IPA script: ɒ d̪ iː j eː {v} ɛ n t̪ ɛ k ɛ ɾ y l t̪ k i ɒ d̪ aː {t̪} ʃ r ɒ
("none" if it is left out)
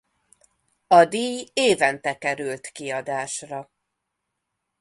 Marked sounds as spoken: v, none

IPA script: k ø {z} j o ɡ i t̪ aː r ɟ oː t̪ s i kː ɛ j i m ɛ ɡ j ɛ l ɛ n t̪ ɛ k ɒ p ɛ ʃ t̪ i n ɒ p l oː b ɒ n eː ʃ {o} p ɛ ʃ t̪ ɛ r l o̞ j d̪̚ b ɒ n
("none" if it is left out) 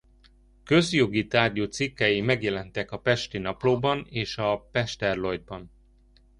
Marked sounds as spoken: z, ɒ

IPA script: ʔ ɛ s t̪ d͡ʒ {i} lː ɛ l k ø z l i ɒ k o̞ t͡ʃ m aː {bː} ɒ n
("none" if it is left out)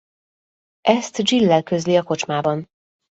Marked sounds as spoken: i, b

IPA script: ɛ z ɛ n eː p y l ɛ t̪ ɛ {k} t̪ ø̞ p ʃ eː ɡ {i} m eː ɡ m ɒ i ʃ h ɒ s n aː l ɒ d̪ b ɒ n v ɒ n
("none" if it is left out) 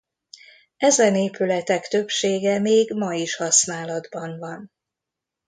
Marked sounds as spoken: k, ɛ

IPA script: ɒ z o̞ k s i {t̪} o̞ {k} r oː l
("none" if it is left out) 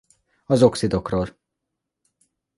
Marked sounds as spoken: d̪, k

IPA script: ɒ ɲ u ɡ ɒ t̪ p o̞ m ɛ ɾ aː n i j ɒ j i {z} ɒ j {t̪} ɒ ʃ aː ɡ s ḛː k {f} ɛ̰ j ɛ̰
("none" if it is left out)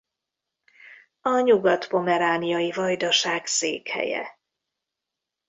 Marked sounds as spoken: v, d̪, h

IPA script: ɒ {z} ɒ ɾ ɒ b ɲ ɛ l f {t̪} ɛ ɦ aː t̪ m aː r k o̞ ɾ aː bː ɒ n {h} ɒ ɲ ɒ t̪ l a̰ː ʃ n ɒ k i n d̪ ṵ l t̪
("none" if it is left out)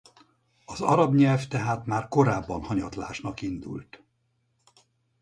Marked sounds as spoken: z, t̪, h

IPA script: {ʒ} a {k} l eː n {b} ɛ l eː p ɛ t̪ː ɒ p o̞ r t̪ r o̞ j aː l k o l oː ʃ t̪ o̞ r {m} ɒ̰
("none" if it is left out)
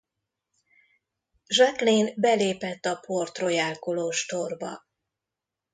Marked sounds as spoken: ʒ, k, b, b

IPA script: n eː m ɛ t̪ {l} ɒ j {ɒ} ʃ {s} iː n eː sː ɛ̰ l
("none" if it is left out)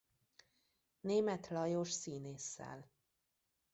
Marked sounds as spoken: l, o, s

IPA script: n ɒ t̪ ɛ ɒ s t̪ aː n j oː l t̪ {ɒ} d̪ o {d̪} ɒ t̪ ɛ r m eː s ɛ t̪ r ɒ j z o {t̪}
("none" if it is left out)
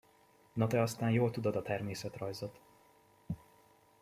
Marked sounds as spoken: u, d̪, t̪

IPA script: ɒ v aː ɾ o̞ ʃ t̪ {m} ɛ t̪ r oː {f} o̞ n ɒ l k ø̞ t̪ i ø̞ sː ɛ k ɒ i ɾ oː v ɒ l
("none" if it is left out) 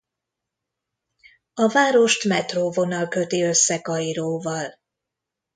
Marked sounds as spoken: m, v

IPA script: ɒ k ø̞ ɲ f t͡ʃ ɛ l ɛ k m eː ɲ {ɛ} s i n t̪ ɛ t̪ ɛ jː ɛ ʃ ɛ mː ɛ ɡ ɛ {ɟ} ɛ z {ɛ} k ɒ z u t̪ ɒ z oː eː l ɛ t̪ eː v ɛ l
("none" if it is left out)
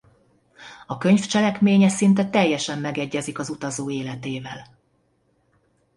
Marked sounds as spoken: ɛ, ɟː, i

